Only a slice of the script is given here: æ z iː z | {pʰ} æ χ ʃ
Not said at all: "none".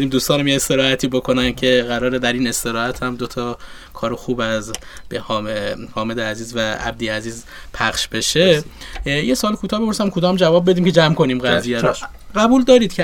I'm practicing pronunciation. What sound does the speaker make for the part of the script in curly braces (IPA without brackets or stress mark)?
pʰ